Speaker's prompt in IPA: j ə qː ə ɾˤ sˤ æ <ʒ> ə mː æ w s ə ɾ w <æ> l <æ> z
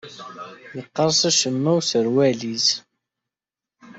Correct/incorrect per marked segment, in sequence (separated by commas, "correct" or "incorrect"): incorrect, correct, incorrect